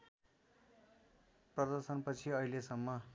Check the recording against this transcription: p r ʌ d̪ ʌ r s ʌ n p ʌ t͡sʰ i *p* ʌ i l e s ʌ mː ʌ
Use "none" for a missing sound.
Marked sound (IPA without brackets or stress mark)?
none